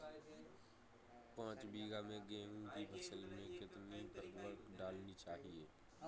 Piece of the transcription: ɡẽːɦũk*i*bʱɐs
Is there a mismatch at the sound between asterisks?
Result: no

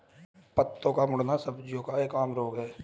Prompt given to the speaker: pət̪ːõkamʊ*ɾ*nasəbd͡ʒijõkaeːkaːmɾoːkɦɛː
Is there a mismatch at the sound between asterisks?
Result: yes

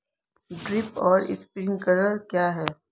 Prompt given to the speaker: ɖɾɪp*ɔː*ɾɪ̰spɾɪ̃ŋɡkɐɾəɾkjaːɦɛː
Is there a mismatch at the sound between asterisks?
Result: no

